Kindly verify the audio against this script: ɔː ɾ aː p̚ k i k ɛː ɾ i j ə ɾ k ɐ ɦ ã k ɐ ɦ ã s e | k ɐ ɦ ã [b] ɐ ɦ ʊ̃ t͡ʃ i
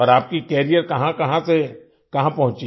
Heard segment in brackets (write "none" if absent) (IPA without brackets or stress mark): p